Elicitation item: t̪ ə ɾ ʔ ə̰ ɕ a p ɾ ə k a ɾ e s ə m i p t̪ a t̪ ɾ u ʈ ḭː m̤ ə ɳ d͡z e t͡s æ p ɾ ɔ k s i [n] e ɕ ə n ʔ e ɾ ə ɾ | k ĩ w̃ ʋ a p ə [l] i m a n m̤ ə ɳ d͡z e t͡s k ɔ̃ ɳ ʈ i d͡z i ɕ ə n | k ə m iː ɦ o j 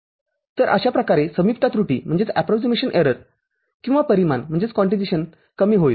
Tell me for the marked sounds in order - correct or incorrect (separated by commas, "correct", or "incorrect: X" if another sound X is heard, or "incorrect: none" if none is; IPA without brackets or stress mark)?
incorrect: m, incorrect: ɾ